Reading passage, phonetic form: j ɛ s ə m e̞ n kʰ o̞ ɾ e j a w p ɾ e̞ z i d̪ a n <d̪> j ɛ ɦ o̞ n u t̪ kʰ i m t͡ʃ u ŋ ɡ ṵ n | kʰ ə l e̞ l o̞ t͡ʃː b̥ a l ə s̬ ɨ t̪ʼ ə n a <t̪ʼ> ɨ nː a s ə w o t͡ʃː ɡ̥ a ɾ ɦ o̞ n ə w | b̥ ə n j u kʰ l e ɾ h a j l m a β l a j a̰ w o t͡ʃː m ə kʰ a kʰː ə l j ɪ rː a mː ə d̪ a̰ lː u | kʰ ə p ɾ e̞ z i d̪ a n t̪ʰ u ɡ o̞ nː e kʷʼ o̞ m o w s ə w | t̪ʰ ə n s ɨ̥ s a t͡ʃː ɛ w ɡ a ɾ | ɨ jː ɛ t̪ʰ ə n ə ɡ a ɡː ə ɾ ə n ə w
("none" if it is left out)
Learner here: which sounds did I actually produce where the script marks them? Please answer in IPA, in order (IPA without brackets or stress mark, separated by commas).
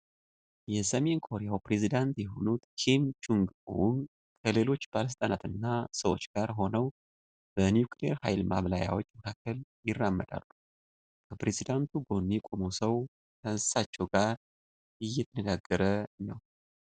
t̪, t̪